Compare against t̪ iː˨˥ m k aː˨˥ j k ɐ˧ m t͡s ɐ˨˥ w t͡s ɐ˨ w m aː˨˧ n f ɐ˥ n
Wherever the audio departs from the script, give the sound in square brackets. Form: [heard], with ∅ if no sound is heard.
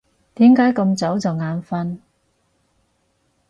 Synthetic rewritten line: t̪ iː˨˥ m k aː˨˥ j k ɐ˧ m t͡s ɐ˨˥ w t͡s ɐ˨ w [ŋ] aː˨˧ n f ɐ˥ n